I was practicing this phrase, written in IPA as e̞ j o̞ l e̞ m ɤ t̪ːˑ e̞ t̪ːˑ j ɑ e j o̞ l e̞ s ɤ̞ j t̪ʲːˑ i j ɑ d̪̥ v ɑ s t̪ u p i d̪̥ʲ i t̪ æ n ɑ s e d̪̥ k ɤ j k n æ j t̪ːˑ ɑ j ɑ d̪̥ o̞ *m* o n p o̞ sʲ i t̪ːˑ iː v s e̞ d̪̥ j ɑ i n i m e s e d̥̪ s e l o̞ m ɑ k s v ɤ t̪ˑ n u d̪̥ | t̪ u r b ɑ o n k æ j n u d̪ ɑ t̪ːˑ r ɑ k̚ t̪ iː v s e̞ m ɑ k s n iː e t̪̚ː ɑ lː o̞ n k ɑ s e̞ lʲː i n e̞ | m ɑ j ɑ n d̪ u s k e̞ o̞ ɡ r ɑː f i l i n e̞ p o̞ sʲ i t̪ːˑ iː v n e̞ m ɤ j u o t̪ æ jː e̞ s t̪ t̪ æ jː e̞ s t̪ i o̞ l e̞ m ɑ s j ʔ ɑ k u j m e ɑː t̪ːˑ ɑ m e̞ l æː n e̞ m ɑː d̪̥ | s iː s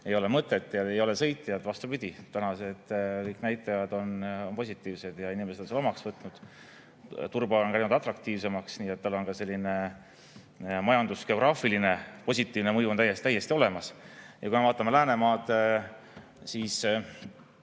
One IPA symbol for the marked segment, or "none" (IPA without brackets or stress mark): n